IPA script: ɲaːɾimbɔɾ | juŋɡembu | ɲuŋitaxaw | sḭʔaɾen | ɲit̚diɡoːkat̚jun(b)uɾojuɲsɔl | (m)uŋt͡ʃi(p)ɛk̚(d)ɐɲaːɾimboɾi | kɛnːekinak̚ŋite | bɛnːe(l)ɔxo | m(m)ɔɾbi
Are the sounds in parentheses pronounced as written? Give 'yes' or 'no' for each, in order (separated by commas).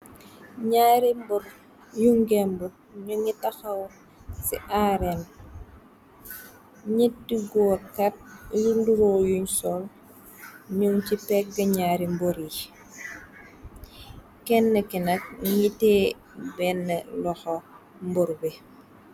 no, no, yes, no, yes, no